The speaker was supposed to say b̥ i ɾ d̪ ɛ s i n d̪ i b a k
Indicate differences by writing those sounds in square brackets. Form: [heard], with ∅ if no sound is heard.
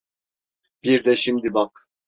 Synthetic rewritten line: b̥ i ɾ d̪ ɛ [ʃ] i [m] d̪ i b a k